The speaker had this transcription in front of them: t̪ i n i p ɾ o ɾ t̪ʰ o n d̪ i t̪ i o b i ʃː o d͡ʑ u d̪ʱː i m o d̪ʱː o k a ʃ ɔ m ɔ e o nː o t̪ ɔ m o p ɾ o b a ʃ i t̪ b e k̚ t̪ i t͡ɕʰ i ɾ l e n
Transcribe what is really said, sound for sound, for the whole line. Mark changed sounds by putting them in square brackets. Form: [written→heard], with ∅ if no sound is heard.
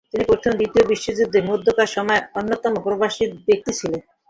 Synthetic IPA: t̪ i n i p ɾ o ɾ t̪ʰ o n d̪ i t̪ i o b i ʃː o d͡ʑ u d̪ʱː [i→e] m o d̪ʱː o k a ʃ ɔ m ɔ e o nː o t̪ ɔ m o p ɾ o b a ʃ i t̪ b e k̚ t̪ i t͡ɕʰ i [ɾ→∅] l e n